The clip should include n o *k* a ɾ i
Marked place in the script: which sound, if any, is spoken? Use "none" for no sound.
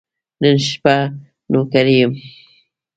k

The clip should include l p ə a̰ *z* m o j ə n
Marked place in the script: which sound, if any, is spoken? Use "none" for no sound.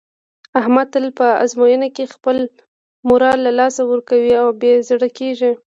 z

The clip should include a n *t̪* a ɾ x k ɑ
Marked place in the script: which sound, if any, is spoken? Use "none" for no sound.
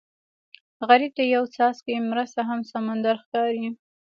d̪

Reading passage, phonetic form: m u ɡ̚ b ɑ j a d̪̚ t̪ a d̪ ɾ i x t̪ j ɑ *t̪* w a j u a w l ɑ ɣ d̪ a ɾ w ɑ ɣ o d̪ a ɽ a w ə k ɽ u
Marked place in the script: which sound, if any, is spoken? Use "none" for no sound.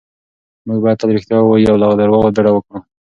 none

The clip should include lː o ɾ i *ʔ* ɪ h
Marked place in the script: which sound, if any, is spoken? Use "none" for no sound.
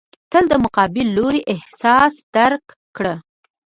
ʔ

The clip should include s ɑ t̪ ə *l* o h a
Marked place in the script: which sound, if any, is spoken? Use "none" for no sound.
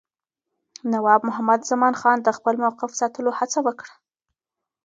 l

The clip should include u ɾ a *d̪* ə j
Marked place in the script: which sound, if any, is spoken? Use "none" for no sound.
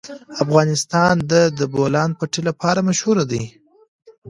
d̪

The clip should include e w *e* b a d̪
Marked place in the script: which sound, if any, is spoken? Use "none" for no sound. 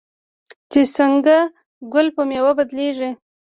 a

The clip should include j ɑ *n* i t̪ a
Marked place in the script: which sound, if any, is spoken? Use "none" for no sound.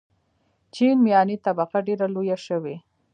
n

